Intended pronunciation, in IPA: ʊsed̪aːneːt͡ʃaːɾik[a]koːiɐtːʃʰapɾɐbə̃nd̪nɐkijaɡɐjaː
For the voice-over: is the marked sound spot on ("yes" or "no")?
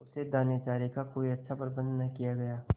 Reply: yes